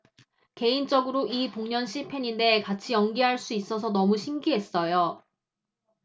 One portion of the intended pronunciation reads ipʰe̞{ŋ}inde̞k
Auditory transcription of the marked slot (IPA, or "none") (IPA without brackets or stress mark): ɲ